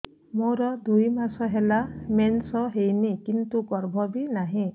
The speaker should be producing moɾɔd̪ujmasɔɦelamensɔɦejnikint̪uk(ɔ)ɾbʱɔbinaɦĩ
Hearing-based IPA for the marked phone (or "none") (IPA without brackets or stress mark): ɔ